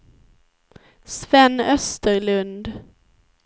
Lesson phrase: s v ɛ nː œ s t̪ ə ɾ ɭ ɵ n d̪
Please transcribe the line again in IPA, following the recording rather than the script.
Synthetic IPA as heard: s v ɛ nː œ s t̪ ə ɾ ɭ ɵ n d̪